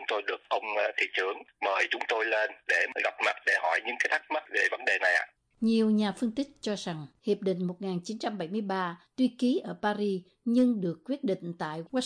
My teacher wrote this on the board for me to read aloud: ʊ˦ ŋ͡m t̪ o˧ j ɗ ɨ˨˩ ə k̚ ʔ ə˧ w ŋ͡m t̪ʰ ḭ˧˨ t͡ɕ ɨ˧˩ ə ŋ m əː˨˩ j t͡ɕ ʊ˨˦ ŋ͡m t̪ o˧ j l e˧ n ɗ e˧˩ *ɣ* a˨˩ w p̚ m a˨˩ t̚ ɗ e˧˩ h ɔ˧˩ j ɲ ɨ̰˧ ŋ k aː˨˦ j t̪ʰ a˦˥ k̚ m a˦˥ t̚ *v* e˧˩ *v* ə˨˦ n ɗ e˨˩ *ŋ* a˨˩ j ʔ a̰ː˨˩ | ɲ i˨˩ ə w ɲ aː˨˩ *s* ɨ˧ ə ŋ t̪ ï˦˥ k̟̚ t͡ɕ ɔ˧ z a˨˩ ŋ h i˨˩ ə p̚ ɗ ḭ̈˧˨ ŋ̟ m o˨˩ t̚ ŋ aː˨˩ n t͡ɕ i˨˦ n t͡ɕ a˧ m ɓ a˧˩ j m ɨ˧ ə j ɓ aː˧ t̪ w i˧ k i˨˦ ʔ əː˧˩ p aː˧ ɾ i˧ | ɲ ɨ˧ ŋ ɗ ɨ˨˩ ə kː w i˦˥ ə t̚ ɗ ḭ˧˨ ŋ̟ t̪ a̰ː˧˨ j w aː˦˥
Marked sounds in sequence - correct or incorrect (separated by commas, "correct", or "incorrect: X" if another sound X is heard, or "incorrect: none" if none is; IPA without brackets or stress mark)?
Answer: correct, correct, correct, incorrect: n, incorrect: f